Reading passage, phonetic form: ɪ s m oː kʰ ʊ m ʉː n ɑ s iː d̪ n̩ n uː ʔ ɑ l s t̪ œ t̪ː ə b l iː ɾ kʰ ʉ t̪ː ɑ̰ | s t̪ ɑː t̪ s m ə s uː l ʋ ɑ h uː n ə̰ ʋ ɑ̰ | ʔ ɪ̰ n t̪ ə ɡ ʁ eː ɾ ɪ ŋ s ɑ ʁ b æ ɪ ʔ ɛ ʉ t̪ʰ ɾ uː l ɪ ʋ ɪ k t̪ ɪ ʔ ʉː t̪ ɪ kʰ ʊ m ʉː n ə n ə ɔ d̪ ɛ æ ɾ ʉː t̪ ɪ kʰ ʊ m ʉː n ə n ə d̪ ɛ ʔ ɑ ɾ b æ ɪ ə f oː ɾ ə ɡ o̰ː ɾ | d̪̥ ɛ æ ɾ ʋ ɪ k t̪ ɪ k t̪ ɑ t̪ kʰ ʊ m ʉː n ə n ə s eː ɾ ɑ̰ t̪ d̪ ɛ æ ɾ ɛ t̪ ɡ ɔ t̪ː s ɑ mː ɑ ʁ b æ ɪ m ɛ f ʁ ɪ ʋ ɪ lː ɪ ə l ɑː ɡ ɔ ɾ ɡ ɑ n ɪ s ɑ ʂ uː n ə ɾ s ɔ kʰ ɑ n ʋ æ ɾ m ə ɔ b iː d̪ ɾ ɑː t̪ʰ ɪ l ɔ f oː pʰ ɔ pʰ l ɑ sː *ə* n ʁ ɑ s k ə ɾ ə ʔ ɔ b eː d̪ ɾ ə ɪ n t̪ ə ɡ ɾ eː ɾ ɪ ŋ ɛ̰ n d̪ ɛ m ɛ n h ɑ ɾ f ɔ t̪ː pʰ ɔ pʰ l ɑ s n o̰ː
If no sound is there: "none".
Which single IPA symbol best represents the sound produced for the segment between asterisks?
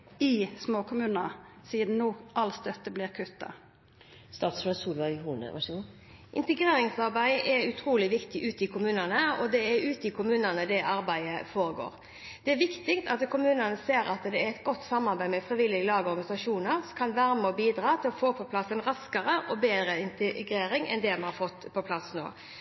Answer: ə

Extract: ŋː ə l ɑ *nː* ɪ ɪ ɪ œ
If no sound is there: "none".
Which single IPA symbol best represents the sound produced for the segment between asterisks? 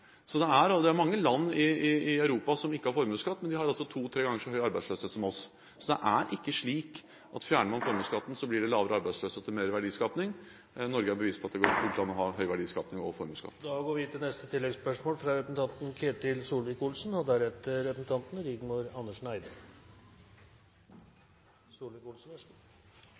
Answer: nː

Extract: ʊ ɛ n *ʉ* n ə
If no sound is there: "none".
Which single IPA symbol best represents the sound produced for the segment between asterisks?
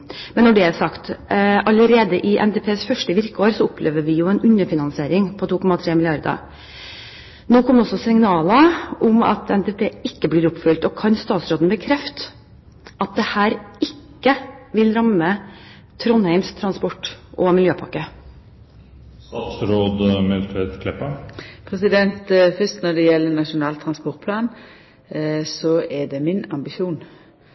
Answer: ʉ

